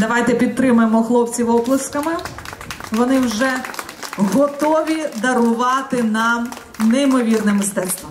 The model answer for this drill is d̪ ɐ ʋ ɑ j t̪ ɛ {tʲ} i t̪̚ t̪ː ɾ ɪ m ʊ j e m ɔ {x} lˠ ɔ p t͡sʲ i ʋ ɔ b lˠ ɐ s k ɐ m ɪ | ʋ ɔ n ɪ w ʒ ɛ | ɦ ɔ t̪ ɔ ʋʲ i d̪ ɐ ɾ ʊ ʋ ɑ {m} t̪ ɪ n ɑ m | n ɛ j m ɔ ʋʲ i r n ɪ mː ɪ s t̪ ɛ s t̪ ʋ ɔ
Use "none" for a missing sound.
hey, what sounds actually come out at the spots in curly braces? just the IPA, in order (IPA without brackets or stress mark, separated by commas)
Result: pʲ, x, none